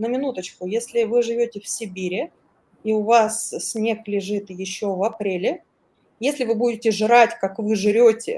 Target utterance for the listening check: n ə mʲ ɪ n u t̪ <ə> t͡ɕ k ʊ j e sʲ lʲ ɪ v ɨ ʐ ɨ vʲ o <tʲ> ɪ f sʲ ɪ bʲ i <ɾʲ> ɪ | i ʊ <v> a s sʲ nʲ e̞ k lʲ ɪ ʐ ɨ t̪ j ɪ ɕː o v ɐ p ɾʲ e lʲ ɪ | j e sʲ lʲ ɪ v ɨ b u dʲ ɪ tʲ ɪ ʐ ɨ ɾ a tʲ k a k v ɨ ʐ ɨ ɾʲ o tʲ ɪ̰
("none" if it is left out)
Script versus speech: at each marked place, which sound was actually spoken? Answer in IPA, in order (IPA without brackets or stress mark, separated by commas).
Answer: ə, tʲ, ɾʲ, v